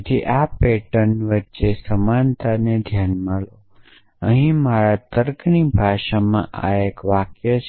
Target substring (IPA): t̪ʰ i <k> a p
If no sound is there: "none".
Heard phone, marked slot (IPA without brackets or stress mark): ʔ